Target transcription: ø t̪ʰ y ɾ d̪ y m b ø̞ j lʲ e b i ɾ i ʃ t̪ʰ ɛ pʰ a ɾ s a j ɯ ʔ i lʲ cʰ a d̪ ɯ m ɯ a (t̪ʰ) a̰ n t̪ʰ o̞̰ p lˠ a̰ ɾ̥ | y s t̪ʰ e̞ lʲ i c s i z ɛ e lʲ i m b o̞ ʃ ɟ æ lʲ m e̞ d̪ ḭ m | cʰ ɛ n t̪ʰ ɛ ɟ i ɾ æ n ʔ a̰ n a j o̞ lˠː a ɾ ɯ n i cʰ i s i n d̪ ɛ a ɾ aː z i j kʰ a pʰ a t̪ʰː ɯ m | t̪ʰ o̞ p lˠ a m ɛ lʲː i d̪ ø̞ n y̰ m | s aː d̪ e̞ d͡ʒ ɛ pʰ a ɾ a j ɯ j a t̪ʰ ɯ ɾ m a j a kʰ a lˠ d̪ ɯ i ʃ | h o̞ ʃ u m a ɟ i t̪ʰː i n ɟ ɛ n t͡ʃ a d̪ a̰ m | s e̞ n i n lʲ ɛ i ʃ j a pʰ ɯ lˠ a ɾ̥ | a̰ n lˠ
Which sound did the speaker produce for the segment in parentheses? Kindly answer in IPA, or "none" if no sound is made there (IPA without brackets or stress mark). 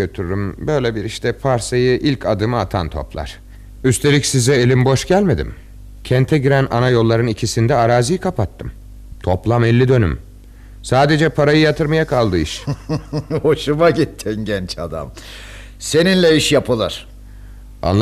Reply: t̪ʰ